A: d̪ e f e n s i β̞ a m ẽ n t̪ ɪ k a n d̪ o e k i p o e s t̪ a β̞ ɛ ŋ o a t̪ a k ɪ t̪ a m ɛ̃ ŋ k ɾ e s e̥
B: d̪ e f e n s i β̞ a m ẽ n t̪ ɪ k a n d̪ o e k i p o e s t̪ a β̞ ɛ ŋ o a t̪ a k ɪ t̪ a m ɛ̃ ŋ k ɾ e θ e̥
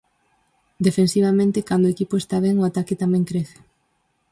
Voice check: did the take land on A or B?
B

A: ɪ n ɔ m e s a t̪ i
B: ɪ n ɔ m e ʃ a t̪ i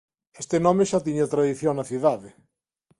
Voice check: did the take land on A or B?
B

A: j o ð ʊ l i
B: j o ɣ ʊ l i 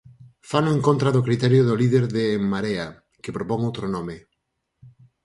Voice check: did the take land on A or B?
A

